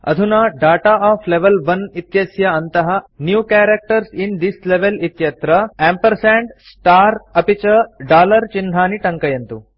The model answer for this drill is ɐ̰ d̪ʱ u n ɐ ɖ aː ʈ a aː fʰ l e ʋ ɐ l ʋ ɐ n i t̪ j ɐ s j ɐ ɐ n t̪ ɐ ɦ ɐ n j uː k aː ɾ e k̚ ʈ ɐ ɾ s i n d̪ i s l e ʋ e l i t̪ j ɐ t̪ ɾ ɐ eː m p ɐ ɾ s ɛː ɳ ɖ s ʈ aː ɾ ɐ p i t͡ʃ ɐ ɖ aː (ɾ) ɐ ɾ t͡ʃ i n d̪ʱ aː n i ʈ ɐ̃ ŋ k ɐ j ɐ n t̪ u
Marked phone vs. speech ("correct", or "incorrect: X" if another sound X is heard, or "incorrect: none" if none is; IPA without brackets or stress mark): incorrect: l